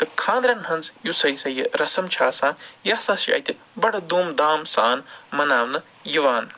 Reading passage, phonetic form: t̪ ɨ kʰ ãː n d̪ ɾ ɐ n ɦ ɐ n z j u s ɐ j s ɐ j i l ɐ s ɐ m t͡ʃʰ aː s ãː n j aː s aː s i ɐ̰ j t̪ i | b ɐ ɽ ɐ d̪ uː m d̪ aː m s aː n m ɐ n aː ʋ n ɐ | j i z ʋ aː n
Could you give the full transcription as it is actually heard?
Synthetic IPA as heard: t̪ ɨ kʰ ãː n d̪ ɾ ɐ n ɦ ɐ n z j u s ɐ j s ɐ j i ɾ ɐ s ɐ m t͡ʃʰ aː s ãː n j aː s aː s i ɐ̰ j t̪ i | b ɐ ɽ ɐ d̪ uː m d̪ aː m s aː n m ɐ n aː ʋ n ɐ | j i ʋ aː n